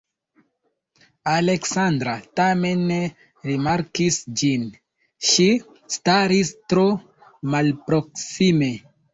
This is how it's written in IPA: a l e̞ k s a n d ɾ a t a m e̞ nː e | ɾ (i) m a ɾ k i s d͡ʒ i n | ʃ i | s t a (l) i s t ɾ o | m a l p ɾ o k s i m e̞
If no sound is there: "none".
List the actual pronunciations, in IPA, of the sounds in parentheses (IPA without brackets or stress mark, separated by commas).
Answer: i, ɾ